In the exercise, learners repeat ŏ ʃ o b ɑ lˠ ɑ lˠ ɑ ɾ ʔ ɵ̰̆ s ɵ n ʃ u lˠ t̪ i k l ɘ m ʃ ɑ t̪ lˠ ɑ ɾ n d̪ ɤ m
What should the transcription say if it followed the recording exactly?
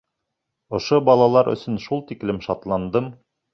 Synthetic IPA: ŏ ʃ o b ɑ lˠ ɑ lˠ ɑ ɾ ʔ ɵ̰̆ s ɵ n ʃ u lˠ t̪ i k l ɘ m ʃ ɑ t̪ lˠ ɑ n d̪ ɤ m

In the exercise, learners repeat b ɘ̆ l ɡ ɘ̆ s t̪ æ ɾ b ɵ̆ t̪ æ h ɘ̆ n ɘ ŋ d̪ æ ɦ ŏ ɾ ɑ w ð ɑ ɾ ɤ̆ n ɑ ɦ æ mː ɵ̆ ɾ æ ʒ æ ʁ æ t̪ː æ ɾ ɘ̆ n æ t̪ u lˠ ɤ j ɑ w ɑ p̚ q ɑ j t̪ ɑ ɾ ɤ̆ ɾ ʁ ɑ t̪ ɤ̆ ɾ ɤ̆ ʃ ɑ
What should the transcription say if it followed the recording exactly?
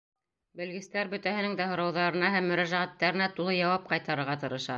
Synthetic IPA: b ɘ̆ l ɡ ɘ̆ s t̪ æ ɾ b ɵ̆ t̪ æ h ɘ̆ n ɘ ŋ d̪ æ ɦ ŏ ɾ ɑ w ð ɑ ɾ ɤ̆ n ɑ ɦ æ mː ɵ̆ ɾ æ ʒ æ ʁ æ t̪ː æ ɾ ɘ̆ n æ t̪ u lˠ ɤ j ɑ w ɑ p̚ q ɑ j t̪ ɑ ɾ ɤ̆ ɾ ʁ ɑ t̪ ɤ̆ ɾ ɤ̆ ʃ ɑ

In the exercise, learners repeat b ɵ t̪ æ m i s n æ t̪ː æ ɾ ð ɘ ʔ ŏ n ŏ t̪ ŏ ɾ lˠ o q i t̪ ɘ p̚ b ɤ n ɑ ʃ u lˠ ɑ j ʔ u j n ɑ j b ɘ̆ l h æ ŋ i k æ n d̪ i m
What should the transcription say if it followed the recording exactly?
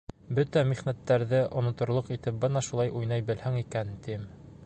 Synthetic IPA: b ɵ t̪ æ m i χ n æ t̪ː æ ɾ ð ɘ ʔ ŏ n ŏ t̪ ŏ ɾ lˠ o q i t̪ ɘ p̚ b ɤ n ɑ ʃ u lˠ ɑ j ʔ u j n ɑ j b ɘ̆ l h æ ŋ i k æ n t̪ i m

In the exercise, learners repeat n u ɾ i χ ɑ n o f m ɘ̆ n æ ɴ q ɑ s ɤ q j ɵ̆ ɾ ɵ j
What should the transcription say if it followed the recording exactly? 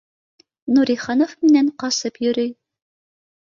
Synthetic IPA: n u ɾ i χ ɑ n o f m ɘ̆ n æ ɴ q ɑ s ɤ p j ɵ̆ ɾ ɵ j

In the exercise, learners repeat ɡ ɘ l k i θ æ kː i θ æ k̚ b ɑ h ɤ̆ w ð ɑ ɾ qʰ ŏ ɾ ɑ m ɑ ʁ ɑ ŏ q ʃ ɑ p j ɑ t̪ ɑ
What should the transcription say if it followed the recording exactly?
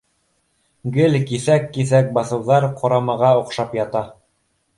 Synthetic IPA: ɡ ɘ l k i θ æ kː i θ æ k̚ b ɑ θ ɤ̆ w ð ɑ ɾ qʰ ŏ ɾ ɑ m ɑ ʁ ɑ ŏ q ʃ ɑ p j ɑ t̪ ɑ

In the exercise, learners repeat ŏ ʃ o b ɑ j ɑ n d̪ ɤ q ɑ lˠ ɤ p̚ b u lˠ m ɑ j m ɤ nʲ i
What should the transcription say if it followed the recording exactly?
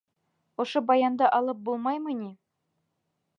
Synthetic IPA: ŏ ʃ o b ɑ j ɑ n d̪ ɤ ʔ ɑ lˠ ɤ p̚ b u lˠ m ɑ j m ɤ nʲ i

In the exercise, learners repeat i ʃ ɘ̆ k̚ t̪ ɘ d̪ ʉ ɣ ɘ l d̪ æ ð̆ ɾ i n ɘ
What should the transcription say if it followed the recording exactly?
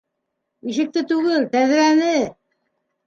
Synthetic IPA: i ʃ ɘ̆ k̚ t̪ ɘ t̪ ʉ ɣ ɘ l t̪ æ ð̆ ɾ æ n ɘ

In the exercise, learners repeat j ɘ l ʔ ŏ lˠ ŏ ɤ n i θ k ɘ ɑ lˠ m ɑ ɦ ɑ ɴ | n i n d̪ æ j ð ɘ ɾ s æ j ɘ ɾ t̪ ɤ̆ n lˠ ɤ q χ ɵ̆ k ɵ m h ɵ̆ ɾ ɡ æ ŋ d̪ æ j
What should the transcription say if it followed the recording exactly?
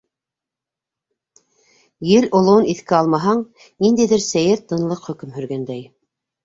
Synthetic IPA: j ɘ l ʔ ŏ lˠ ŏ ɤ n i θ k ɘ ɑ lˠ m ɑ ɦ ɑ ɴ | n i n d̪ æ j ð ɘ ɾ s æ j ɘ ɾ t̪ ɤ̆ n lˠ ɤ q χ ɵ̆ k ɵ m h ɵ̆ ɾ ɡ æ n d̪ æ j

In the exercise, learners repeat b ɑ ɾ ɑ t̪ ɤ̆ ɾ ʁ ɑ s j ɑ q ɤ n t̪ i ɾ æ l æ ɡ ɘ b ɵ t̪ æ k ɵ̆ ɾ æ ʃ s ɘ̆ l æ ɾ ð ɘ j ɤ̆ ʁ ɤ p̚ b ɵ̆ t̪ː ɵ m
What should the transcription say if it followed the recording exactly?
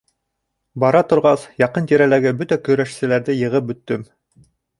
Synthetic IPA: b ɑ ɾ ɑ t̪ ŏ ɾ ʁ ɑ s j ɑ q ɤ n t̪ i ɾ æ l æ ɡ ɘ b ɵ t̪ æ k ɵ̆ ɾ æ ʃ s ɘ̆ l æ ɾ ð ɘ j ɤ̆ ʁ ɤ p̚ b ɵ̆ t̪ː ɵ m

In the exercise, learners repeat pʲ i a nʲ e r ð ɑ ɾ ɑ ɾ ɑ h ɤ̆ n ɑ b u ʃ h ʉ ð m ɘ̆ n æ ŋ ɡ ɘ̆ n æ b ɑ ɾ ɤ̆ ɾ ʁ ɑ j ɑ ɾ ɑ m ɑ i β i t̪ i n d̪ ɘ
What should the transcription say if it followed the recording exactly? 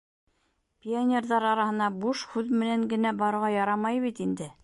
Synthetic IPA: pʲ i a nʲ e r ð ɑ ɾ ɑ ɾ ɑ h ɤ̆ n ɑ b u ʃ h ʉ ð m ɘ̆ n æ ŋ ɡ ɘ̆ n æ b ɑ ɾ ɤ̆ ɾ ʁ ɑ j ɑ ɾ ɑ m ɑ j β i t̪ i n d̪ ɘ

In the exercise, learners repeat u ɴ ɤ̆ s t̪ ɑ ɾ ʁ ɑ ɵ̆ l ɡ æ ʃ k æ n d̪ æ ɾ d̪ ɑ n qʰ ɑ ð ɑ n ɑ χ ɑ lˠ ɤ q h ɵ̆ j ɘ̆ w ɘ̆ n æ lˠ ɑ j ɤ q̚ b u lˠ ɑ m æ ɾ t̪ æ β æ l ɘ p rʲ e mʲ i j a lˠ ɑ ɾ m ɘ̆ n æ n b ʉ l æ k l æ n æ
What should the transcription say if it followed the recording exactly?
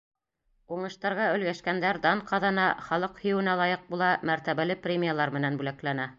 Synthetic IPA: u ɴ ɤ̆ ʃ t̪ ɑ ɾ ʁ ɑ ɵ̆ l ɡ æ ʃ k æ n d̪ æ ɾ d̪ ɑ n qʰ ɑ ð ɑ n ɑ χ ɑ lˠ ɤ q h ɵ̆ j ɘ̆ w ɘ̆ n æ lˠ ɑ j ɤ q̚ b u lˠ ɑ m æ ɾ t̪ æ β æ l ɘ p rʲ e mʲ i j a lˠ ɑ ɾ m ɘ̆ n æ n b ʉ l æ k l æ n æ

